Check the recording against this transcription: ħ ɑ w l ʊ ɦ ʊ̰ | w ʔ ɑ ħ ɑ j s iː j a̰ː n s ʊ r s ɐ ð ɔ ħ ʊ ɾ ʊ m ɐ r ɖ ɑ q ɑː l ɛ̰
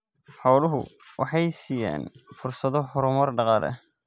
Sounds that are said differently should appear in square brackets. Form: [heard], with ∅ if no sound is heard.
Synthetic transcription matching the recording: ħ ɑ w l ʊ ɦ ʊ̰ | w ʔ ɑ ħ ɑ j s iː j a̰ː n [f] ʊ r s ɐ ð ɔ ħ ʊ ɾ ʊ m ɐ r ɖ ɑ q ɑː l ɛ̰